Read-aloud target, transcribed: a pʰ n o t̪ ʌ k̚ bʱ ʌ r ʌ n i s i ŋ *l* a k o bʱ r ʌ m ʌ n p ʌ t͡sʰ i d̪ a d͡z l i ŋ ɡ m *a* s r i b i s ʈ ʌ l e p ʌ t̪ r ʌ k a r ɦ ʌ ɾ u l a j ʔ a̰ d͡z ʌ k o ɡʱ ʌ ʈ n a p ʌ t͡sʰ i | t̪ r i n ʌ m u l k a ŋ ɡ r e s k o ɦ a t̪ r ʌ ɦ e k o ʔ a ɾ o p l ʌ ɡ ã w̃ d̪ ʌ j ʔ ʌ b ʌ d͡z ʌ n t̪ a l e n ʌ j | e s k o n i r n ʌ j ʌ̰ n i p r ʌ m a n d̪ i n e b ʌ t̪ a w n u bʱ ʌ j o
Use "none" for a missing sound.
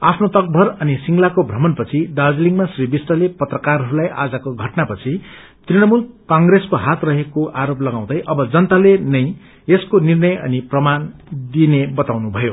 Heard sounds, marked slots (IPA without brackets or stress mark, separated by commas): l, a